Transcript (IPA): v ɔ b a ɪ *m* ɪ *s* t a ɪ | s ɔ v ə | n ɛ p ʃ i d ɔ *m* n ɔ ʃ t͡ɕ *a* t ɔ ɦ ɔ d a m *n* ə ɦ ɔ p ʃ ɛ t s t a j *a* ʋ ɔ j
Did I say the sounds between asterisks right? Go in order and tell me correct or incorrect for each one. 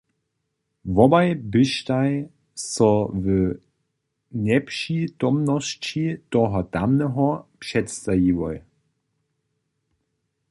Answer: incorrect, incorrect, correct, incorrect, correct, incorrect

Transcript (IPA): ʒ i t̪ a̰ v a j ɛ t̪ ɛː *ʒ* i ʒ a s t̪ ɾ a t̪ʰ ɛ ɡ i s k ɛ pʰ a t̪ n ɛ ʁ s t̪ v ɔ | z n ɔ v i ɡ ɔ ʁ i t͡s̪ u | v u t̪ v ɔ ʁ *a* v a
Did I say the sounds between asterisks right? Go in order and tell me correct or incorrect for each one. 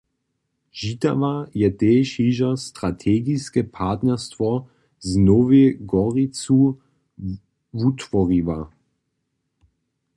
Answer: incorrect, incorrect

